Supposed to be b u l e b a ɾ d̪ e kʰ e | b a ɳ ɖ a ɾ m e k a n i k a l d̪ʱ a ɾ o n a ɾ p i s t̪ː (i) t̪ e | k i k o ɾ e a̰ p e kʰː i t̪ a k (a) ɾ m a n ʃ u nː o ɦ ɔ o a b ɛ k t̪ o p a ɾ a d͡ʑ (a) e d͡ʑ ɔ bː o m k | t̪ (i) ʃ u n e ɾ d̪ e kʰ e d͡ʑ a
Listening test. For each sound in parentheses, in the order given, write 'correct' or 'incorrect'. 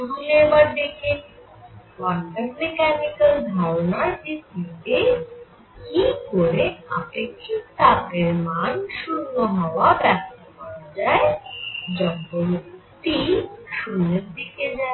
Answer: correct, incorrect, correct, correct

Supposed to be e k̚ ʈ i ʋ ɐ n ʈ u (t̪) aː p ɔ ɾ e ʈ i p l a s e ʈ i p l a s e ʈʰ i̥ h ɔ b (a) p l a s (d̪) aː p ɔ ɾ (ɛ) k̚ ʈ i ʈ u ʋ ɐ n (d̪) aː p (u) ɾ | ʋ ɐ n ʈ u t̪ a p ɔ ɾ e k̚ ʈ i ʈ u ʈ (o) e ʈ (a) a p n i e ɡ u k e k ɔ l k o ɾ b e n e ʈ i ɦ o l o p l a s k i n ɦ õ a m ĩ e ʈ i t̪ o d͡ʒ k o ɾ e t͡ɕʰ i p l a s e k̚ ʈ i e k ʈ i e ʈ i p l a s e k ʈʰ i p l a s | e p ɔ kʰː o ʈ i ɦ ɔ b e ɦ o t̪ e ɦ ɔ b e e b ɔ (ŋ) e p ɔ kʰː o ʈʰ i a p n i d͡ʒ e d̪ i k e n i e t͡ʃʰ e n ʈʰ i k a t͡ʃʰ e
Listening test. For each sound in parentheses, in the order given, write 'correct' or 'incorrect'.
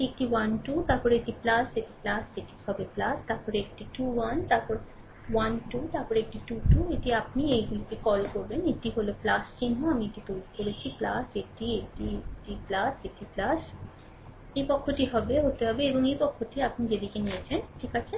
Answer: correct, incorrect, incorrect, incorrect, incorrect, incorrect, incorrect, incorrect, correct

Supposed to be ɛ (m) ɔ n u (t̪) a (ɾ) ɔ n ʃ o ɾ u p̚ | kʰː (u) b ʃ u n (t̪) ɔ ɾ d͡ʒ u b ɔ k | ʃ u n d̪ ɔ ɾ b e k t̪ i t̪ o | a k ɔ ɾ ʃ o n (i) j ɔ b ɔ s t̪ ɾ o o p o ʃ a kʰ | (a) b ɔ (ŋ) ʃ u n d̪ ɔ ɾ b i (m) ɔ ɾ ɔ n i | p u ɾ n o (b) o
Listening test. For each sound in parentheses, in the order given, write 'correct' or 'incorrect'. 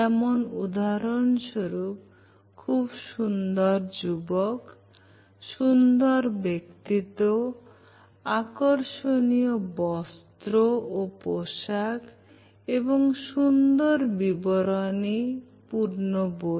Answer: correct, incorrect, correct, correct, incorrect, correct, incorrect, correct, incorrect, correct

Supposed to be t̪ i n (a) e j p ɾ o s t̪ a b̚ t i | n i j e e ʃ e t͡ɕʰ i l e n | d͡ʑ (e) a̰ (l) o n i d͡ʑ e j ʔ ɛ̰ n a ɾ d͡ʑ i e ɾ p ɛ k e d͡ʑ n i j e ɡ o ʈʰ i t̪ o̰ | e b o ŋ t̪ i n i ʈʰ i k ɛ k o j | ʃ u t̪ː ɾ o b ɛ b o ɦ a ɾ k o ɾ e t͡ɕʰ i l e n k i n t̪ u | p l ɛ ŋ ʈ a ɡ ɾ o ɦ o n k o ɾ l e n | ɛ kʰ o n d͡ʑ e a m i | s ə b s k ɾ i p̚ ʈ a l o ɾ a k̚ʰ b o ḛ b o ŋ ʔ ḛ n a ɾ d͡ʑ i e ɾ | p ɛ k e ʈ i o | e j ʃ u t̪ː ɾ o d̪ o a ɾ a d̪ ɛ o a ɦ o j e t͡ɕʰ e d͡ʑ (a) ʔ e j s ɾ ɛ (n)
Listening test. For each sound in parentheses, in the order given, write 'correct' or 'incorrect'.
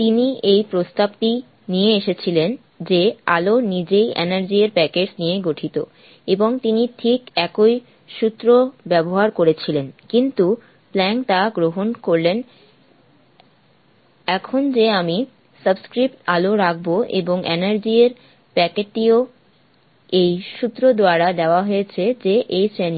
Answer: incorrect, correct, correct, incorrect, correct

